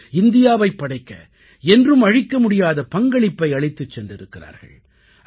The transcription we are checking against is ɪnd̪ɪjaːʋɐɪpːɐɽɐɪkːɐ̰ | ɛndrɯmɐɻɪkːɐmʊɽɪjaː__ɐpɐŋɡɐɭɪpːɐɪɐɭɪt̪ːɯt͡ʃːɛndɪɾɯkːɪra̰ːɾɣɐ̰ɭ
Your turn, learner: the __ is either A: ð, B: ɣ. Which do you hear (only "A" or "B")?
A